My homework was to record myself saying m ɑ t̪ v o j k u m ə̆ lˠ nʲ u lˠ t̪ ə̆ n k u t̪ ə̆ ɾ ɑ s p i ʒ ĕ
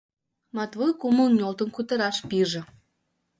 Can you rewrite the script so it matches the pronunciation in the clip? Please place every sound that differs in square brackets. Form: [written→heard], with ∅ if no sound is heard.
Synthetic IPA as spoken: m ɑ t̪ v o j k u m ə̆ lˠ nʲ [u→o] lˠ t̪ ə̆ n k u t̪ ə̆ ɾ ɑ [s→ʃ] p i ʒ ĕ